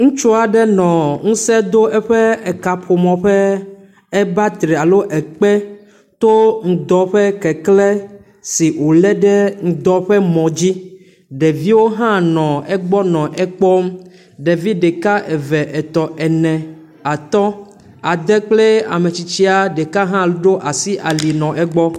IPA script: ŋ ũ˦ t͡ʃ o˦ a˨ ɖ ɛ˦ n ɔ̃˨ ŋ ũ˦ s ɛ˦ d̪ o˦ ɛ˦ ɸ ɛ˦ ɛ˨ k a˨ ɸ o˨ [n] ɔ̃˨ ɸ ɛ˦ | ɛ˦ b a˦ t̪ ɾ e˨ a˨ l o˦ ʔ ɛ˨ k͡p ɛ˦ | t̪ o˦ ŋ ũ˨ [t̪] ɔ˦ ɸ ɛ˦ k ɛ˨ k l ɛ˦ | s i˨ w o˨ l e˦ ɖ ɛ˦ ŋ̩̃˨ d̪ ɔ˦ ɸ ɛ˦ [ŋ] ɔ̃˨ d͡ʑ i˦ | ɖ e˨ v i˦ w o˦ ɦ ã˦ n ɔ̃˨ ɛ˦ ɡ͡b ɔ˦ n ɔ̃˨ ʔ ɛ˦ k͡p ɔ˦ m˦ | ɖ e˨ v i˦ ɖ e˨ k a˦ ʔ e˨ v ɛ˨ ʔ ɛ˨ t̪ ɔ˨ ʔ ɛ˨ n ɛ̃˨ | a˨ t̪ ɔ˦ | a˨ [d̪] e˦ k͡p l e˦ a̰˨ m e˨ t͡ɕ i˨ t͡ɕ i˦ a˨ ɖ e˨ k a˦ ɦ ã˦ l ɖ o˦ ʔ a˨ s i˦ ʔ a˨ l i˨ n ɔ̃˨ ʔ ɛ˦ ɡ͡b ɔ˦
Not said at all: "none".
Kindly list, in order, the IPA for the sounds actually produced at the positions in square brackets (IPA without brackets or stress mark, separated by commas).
m, d̪, m, d̪